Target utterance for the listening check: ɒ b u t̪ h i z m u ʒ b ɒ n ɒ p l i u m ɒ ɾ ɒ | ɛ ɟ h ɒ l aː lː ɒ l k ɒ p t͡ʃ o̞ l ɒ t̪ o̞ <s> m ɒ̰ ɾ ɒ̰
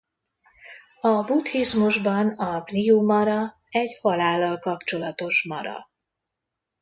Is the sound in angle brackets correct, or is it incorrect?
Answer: incorrect